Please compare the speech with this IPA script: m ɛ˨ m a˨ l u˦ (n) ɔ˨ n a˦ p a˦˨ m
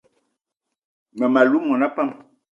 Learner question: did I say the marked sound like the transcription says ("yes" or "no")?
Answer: no